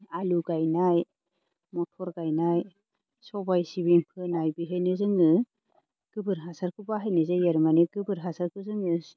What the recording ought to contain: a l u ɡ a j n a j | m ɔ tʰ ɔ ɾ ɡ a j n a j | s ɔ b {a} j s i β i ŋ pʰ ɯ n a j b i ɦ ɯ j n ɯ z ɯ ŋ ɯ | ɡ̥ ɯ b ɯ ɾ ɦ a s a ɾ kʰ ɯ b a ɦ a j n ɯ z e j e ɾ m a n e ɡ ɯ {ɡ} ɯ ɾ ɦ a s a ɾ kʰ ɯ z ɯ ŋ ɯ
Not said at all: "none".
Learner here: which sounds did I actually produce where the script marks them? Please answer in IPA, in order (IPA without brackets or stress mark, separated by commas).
a, b